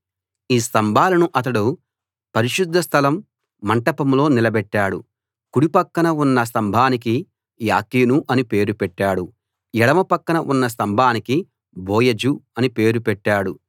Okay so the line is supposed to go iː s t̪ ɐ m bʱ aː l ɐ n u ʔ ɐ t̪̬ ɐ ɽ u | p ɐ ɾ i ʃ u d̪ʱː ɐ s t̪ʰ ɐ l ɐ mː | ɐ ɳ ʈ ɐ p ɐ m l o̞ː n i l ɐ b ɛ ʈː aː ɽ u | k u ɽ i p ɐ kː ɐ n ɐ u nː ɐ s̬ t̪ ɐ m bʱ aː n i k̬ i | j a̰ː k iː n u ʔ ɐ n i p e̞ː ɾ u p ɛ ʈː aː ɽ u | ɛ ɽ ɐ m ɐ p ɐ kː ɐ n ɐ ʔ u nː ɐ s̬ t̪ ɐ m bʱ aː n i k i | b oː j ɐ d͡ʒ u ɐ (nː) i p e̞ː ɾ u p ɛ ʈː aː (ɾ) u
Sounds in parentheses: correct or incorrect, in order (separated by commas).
incorrect, incorrect